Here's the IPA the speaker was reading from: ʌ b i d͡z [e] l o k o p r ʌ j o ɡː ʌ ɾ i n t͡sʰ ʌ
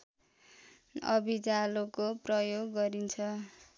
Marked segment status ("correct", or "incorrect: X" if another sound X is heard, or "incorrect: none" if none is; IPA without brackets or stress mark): incorrect: a